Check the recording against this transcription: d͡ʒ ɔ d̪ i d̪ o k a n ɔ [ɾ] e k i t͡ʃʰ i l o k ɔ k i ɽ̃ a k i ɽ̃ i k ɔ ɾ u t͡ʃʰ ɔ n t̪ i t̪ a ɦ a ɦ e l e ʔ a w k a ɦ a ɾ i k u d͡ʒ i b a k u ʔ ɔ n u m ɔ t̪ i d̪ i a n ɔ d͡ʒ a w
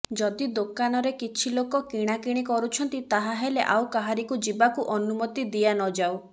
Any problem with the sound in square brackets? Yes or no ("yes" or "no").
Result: no